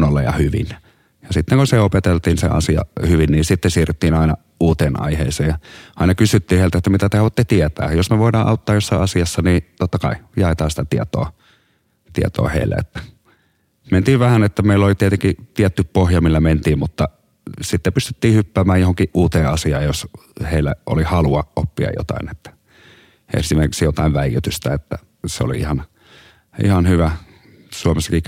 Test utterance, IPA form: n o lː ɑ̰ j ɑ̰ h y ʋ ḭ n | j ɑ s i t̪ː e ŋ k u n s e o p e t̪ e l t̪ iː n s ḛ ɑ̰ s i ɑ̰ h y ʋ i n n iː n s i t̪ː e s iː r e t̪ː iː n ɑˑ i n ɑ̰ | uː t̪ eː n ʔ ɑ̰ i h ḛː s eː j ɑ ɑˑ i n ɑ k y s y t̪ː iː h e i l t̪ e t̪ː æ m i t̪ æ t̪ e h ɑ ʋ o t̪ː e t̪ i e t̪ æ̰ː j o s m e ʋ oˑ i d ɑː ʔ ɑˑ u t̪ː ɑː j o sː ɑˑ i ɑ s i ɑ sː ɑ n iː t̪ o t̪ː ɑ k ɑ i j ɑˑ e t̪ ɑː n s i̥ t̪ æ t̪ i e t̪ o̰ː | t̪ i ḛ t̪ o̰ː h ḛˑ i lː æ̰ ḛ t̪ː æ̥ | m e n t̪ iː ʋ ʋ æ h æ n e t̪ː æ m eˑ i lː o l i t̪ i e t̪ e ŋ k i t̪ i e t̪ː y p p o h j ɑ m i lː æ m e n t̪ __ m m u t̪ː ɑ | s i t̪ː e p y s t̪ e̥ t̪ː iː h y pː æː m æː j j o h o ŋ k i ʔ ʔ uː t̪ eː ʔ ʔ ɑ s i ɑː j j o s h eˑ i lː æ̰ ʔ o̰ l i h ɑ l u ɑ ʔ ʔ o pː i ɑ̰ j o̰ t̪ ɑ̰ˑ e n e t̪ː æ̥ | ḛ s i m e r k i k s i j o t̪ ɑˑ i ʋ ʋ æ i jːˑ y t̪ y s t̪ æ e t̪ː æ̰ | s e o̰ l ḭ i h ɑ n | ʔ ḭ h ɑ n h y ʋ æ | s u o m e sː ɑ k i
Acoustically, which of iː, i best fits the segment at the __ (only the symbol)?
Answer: iː